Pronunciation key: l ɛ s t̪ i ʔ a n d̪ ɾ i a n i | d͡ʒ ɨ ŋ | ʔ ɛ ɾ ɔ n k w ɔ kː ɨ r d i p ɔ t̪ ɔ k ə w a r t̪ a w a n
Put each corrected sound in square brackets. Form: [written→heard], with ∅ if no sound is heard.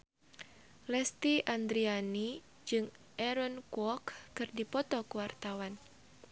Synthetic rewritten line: l ɛ s t̪ i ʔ a n d̪ ɾ i a n i | d͡ʒ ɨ ŋ | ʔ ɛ ɾ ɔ n k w ɔ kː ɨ r d i p ɔ t̪ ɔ k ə w a r t̪ a w a n